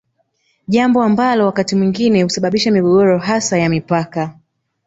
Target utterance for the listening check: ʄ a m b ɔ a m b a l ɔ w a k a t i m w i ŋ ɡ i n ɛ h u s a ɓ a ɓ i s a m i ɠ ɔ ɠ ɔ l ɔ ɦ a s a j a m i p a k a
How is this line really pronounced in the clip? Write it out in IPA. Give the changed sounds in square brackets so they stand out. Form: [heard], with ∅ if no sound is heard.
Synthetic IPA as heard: ʄ a m b ɔ a m b a l ɔ w a k a t i m w i ŋ ɡ i n ɛ h u s a ɓ a ɓ i [ʃ] a m i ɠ ɔ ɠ ɔ [ɾ] ɔ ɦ a s a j a m i p a k a